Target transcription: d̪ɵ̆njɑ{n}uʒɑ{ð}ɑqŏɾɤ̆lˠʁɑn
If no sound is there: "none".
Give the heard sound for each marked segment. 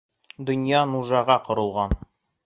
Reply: n, ʁ

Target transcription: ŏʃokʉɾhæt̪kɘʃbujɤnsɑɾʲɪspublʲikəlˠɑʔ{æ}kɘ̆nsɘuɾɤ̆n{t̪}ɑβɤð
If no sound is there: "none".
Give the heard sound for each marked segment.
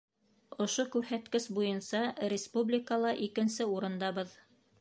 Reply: i, d̪

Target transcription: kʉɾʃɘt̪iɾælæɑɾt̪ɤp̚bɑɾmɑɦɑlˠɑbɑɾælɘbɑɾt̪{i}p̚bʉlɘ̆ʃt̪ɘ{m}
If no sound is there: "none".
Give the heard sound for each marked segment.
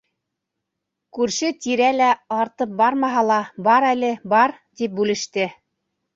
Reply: i, none

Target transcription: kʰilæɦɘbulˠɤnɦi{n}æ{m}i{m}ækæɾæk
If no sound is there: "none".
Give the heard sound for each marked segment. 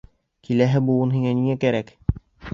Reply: ŋ, n, ŋ

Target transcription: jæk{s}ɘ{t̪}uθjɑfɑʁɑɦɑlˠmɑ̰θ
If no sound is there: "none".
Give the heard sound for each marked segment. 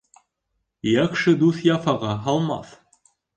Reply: ʃ, d̪

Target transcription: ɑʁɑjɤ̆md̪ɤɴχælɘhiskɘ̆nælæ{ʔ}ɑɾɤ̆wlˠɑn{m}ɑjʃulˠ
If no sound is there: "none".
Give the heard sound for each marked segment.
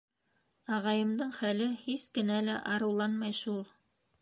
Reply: ʔ, m

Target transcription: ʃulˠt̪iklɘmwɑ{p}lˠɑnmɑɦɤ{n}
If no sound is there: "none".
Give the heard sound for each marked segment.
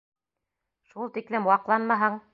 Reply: q, ɴ

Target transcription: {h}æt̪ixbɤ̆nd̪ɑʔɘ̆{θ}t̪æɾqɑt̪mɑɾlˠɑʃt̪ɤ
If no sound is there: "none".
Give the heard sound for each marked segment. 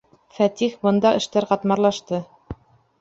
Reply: f, ʃ

